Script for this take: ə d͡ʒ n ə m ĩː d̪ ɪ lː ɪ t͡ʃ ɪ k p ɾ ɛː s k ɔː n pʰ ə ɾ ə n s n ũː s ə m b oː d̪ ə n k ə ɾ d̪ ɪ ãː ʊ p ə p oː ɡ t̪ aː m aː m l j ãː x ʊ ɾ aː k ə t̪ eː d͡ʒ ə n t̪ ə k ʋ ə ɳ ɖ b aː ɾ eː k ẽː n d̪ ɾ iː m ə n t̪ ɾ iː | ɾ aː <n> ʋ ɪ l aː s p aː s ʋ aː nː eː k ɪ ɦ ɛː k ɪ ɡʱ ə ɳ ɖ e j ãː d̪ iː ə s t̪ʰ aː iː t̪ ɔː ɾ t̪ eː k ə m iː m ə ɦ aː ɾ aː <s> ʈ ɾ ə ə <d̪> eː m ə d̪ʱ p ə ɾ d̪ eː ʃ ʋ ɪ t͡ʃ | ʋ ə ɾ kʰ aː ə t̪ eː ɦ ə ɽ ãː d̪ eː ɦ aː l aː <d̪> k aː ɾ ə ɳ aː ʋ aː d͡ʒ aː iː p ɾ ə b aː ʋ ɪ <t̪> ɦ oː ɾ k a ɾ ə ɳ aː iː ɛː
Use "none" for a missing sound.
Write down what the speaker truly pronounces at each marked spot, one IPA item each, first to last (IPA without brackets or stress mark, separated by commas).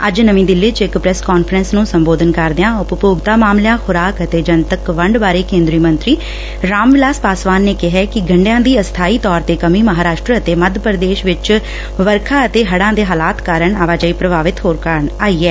m, ʃ, t̪, t̪, t̪